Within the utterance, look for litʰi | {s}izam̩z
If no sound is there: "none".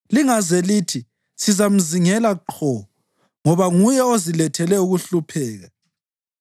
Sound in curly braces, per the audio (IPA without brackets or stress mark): s